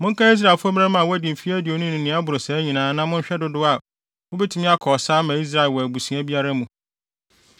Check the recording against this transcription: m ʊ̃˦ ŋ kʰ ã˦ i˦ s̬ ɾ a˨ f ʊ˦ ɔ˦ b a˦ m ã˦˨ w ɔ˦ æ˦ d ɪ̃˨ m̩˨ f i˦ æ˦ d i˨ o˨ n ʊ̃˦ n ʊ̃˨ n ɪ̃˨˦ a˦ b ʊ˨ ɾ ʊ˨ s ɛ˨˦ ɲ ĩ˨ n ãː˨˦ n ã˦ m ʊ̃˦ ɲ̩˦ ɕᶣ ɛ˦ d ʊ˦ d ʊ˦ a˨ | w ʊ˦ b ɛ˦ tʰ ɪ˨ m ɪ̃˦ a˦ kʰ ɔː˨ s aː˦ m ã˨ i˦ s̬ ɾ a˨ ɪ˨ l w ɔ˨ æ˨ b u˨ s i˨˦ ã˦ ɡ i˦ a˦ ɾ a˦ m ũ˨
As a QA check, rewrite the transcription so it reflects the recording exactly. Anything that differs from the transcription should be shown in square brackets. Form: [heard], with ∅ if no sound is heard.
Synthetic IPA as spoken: m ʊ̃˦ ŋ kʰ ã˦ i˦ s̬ ɾ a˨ f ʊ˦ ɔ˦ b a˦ m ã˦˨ w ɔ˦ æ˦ d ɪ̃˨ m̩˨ f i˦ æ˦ d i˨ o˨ n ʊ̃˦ n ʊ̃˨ n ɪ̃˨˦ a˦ b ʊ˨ ɾ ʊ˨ s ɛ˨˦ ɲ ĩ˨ n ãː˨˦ n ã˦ m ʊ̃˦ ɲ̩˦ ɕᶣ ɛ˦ d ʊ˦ d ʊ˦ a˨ | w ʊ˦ b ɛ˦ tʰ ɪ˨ m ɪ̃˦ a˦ kʰ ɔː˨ s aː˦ m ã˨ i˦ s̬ ɾ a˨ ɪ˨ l w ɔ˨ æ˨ b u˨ s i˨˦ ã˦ [b] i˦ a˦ ɾ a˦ m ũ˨

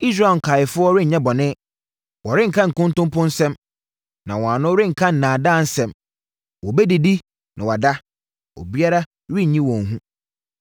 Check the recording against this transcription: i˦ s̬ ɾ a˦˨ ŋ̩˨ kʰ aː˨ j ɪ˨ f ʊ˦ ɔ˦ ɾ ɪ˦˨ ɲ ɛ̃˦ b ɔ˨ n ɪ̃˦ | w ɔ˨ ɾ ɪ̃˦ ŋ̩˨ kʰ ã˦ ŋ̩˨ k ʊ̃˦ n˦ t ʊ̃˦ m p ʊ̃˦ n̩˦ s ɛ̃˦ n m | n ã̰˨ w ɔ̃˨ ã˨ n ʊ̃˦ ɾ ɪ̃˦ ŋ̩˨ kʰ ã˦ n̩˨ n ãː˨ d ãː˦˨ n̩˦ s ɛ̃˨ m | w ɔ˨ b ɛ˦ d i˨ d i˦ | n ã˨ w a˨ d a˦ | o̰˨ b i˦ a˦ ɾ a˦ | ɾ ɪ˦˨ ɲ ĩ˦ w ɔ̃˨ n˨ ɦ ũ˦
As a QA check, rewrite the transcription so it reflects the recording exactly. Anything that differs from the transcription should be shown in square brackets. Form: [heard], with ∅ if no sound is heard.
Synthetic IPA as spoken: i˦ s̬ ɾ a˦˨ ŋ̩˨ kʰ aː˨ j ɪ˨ f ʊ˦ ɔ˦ ɾ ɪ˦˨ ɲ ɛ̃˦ b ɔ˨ n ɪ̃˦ | w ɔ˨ ɾ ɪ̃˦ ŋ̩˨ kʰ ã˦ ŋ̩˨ k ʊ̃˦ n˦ t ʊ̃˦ m p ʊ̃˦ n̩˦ s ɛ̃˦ [∅] m | n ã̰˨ w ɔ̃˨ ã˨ n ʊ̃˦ ɾ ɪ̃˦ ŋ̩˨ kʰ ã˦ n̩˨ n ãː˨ d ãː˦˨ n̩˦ s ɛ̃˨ m | w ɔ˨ b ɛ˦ d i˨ d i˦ | n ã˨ w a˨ d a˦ | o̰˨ b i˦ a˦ ɾ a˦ | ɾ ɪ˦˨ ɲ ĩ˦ w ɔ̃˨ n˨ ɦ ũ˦

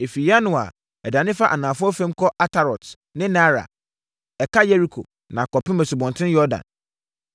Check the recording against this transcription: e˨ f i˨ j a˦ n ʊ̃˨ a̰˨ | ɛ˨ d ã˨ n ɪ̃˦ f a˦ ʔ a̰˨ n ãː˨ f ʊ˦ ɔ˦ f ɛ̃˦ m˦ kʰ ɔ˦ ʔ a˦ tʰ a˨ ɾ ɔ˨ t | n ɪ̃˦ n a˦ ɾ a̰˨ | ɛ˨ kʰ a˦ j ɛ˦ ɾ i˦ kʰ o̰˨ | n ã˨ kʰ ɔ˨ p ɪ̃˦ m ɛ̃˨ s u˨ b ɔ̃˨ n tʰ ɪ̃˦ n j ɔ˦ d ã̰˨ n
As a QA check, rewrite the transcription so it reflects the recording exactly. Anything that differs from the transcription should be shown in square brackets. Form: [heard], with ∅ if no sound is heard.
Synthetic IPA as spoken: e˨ f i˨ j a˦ n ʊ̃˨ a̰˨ | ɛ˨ d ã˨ n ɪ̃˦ f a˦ ʔ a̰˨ n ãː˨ f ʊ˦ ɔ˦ f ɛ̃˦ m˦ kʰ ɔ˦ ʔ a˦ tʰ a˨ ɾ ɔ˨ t | n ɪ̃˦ n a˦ ɾ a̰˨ | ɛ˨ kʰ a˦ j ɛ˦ ɾ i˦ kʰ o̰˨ | n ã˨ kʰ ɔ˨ p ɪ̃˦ m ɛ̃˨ s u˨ b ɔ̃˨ n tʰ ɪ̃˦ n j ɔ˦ d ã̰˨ n

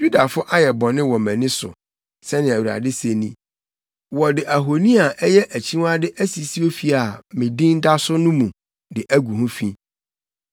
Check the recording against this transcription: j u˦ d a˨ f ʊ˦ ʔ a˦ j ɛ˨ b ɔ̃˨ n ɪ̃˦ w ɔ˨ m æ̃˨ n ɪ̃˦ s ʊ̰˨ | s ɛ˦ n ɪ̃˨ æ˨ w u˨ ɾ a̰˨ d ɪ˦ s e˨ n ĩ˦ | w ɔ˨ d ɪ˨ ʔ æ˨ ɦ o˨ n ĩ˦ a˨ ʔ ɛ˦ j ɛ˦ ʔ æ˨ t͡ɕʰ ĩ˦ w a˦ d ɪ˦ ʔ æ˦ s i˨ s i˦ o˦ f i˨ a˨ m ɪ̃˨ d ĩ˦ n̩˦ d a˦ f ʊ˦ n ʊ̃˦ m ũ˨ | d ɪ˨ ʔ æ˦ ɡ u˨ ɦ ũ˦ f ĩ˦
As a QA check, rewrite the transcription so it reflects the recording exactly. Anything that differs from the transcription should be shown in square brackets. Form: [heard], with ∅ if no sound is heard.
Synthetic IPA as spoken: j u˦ d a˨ f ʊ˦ ʔ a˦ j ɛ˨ b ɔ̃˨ n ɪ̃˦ w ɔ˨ m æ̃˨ n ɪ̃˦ s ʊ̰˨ | s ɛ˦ n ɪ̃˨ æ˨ w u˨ ɾ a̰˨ d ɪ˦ s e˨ n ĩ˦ | w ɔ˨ d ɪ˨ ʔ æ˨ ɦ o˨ n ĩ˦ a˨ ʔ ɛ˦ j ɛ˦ ʔ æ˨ t͡ɕʰ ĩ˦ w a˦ d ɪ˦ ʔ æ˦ s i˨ s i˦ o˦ f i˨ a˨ m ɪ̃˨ d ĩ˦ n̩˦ d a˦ [s] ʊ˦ n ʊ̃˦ m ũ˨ | d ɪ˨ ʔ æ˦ ɡ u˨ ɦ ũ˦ f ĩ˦

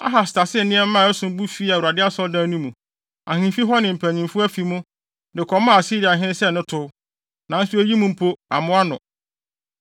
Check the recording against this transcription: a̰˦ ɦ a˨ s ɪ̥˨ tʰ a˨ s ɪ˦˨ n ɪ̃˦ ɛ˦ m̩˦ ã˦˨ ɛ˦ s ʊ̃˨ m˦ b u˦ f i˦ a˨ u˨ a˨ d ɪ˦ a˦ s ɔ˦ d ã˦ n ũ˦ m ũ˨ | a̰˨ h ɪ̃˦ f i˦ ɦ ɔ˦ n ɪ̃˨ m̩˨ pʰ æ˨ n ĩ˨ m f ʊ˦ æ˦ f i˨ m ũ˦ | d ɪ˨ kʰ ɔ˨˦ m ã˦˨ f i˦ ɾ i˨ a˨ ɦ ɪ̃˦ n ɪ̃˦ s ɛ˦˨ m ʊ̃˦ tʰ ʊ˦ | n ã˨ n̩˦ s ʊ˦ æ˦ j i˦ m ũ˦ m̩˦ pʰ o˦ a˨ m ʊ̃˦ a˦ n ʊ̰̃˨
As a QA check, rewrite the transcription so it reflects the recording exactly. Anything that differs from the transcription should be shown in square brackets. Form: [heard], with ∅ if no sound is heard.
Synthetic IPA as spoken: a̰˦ ɦ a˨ s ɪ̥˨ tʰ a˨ s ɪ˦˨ n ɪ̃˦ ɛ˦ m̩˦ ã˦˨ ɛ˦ s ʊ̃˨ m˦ b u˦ f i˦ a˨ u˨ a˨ d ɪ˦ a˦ s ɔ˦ d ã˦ n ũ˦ m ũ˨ | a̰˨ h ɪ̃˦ f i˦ ɦ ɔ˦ n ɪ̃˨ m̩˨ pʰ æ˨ [ɲ] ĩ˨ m f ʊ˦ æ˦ f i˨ m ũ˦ | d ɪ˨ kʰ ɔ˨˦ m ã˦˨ [s] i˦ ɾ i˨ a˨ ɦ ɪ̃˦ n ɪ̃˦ s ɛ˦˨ [n] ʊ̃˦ tʰ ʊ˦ | n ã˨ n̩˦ s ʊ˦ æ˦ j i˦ m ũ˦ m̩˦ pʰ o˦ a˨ m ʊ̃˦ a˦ n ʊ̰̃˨

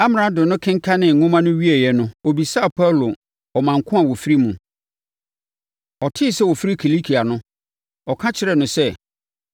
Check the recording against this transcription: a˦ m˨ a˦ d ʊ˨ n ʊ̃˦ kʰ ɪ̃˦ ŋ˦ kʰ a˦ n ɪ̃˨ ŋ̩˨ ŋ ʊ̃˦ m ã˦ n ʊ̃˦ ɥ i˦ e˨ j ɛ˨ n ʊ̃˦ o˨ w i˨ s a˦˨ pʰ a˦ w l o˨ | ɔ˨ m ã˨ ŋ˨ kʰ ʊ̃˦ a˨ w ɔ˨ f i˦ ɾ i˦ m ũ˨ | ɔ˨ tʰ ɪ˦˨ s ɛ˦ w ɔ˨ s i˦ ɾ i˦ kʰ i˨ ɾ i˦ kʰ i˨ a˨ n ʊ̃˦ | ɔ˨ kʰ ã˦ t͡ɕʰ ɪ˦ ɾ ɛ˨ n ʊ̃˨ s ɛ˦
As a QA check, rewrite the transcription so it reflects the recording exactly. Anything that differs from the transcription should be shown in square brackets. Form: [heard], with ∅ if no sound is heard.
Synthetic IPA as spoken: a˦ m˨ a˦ d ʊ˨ n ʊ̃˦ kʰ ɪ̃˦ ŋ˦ kʰ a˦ n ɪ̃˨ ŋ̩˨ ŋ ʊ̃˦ m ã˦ n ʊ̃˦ ɥ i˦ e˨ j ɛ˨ n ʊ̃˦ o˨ [b] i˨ s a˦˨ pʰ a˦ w l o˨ | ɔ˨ m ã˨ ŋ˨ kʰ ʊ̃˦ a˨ w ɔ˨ f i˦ ɾ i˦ m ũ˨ | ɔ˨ tʰ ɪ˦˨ s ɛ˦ w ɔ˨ [f] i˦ ɾ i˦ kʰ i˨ [l] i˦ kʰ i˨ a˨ n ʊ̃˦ | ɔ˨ kʰ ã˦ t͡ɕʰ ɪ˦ ɾ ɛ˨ n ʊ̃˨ s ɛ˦

